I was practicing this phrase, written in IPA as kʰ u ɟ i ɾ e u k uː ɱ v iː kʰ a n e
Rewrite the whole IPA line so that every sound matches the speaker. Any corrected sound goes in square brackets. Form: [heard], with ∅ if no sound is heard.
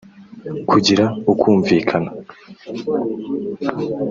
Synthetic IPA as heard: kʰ u ɟ i ɾ [a] u k uː ɱ v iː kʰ a n [a]

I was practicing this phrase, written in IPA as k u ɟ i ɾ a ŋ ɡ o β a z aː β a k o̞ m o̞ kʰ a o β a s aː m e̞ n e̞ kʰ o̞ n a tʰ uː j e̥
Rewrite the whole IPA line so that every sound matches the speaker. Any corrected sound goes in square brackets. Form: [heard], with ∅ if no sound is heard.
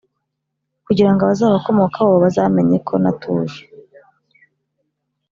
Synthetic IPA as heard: k u ɟ i ɾ a ŋ ɡ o β a z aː β a k o̞ m o̞ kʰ a o β a [z] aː m e̞ [ɲ] e̞ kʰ o̞ n a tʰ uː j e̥

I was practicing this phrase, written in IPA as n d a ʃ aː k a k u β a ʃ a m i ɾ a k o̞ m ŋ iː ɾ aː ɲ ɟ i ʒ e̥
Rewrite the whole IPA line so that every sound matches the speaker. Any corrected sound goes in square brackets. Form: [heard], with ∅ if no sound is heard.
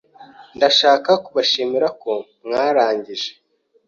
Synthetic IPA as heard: n d a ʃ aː k a k u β a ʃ [i] m i ɾ a k o̞ m ŋ [aː] ɾ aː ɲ ɟ i ʒ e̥

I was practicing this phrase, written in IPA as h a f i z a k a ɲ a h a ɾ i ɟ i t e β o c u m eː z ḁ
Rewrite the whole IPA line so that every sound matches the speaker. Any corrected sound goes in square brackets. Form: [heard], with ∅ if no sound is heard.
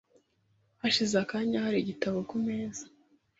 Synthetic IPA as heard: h a [ʃ] i z a k a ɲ a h a ɾ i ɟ i t [a] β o [k] u m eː z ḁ

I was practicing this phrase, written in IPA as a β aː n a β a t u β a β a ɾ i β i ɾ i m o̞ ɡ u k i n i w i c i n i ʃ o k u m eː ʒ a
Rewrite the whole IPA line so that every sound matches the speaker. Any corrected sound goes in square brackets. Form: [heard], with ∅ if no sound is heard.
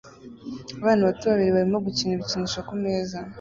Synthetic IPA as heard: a β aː n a β a t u β a β [i] ɾ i β [a] ɾ i m o̞ ɡ u [c] i n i [β] i c i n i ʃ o k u m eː [z] a

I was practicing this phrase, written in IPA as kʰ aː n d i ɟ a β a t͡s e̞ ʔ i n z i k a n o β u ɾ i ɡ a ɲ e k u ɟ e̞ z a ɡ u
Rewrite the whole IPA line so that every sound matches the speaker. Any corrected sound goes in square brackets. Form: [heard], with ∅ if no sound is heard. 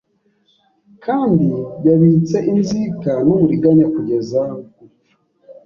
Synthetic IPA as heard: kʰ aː n d i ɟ a β [i] t͡s e̞ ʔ i n z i k a n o β u ɾ i ɡ a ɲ [a] k u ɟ e̞ z a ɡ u

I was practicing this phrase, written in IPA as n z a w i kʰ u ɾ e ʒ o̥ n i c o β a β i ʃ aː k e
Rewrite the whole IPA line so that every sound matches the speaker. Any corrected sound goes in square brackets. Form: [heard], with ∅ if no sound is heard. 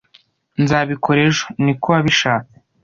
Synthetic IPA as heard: n z a [β] i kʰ [o] ɾ e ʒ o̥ n i [k] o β a β i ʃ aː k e

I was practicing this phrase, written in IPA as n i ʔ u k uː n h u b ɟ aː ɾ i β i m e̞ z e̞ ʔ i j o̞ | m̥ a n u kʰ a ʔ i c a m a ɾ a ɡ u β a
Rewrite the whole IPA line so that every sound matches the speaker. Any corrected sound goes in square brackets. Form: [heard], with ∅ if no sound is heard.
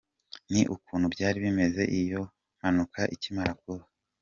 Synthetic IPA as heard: n i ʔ u k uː n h u b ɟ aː ɾ i β i m e̞ z e̞ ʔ i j o̞ | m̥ a n u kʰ a ʔ i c [i] m a ɾ a [k] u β a

